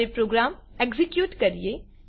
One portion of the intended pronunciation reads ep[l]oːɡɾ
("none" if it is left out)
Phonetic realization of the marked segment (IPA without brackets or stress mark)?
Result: ɾ